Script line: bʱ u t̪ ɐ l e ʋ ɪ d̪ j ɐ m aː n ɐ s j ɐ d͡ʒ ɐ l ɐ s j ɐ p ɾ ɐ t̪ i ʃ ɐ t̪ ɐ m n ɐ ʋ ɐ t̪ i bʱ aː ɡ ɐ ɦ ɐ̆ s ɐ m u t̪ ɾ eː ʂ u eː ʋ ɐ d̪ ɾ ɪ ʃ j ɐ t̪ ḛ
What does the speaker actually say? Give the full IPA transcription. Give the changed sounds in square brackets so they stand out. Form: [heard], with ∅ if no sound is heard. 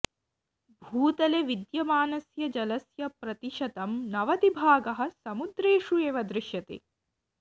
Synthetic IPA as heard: bʱ [uː] t̪ ɐ l e ʋ [i] d̪ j ɐ m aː n ɐ s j ɐ d͡ʒ ɐ l ɐ s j ɐ p ɾ ɐ t̪ i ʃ ɐ t̪ ɐ m n ɐ ʋ ɐ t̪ i bʱ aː ɡ ɐ ɦ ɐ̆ s ɐ m u [d̪] ɾ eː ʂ u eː ʋ ɐ d̪ ɾ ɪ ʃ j ɐ t̪ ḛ

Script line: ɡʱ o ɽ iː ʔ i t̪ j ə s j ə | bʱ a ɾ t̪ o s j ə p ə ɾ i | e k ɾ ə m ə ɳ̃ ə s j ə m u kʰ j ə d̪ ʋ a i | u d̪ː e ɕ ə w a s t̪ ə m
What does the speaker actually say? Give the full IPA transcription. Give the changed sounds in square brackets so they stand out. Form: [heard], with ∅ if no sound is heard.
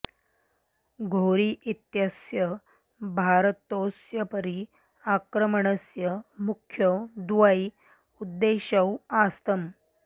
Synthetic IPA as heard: ɡʱ o [ɾ] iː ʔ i t̪ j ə s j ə | bʱ a ɾ t̪ o s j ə p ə ɾ i | [a] k ɾ ə m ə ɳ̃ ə s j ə m u kʰ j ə d̪ ʋ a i | u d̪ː e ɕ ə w a s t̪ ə m

